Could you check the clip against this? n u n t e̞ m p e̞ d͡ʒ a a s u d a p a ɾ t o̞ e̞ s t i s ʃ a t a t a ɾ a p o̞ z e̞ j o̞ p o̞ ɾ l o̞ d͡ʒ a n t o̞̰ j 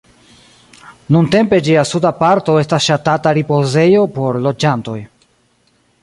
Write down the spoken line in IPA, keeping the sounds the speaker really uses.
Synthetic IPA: n u n t e̞ m p e̞ d͡ʒ i a s u d a p a ɾ t o̞ e̞ s t a s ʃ a t a t a ɾ i p o̞ z e̞ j o̞ p o̞ ɾ l o̞ d͡ʒ a n t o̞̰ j